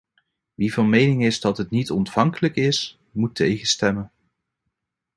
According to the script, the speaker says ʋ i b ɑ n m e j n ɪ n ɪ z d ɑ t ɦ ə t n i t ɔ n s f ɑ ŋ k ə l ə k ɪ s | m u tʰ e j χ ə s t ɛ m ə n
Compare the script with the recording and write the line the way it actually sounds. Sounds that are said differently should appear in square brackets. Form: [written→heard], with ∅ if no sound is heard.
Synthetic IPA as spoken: ʋ i [b→v] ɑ n m e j n ɪ [n→ŋ] ɪ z d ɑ t ɦ ə t n i t ɔ n [s→t] f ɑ ŋ k ə l ə k ɪ s | m u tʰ e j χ ə s t ɛ m ə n